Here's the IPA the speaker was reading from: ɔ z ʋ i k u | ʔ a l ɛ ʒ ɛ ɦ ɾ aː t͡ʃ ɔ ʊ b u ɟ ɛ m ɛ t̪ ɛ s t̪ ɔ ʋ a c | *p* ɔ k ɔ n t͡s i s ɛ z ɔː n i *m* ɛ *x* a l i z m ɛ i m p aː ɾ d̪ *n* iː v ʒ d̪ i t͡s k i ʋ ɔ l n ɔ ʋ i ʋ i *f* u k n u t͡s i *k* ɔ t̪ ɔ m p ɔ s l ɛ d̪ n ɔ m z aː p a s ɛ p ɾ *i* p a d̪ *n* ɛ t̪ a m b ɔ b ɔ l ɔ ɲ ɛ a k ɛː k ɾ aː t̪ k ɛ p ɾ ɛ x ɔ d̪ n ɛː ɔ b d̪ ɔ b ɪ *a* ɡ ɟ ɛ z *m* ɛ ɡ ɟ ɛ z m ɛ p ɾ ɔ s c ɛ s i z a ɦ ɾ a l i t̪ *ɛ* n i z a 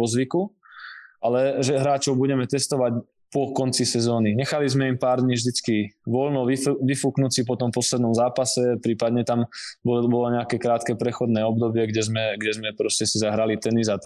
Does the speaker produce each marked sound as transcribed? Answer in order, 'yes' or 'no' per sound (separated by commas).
yes, no, yes, no, yes, no, no, no, no, yes, yes